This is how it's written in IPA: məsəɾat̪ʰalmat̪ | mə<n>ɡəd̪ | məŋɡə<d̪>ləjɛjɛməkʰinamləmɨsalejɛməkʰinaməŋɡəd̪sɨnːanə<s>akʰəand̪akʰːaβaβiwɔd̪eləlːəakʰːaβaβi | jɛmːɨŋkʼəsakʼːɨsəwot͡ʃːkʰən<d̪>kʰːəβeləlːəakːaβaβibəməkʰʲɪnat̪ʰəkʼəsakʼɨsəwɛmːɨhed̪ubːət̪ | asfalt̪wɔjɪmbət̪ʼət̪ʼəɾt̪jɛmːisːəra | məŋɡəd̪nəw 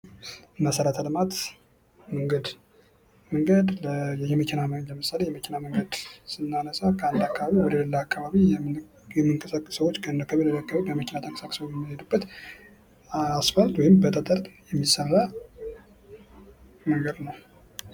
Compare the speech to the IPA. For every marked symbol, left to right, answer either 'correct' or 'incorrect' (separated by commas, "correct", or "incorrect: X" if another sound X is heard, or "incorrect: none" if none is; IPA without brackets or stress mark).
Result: incorrect: ŋ, correct, correct, correct